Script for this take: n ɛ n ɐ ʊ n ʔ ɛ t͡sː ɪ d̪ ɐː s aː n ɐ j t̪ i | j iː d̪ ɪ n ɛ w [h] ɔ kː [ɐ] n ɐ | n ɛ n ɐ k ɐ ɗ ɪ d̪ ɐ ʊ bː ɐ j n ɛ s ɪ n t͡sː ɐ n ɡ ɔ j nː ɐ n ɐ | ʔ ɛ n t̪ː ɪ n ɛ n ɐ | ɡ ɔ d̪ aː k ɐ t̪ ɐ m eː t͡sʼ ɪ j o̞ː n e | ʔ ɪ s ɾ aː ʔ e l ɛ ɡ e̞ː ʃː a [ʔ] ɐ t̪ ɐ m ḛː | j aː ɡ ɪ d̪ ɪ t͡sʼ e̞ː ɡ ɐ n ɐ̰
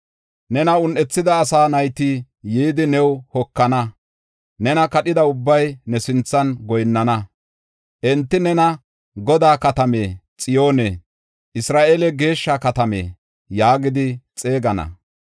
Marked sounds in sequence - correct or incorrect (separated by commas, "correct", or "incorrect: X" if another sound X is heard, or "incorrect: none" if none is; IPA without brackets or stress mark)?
correct, correct, incorrect: k